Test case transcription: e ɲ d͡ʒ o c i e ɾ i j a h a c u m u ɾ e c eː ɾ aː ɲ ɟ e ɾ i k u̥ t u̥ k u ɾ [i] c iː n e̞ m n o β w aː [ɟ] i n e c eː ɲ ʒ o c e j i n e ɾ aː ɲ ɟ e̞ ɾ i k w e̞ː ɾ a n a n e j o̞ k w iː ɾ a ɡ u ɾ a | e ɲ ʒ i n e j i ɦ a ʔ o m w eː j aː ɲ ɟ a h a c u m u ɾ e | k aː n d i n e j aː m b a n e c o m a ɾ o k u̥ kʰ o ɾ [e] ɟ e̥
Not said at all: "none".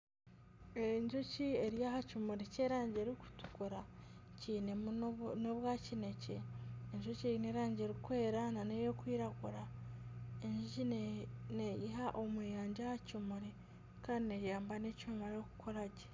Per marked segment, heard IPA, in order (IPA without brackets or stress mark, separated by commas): a, c, a